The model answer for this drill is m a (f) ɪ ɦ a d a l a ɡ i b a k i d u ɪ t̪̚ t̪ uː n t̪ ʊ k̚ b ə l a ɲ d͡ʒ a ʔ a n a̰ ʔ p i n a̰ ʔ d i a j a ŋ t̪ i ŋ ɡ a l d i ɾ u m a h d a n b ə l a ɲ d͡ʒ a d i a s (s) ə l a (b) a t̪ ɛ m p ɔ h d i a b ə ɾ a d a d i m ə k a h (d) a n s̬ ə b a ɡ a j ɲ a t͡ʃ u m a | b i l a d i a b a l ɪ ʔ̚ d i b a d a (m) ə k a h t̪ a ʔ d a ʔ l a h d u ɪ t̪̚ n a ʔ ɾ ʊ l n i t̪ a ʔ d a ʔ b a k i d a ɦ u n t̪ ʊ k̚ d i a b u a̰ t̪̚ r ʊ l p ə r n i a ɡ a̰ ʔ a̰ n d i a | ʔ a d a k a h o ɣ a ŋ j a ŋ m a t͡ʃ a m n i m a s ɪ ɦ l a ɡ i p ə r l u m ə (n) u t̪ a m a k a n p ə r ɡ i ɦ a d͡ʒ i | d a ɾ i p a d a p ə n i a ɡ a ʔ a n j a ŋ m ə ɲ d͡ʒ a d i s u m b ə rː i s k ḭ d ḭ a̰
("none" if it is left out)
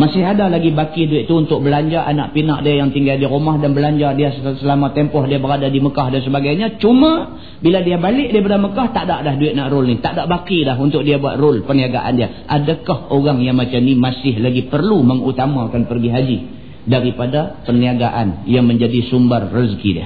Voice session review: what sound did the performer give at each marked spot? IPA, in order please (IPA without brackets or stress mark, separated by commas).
s, s, m, d, m, ŋ